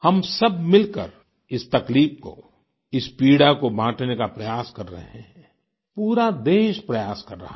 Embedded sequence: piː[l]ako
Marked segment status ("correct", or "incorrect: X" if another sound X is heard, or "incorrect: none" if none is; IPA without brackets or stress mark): incorrect: ɽ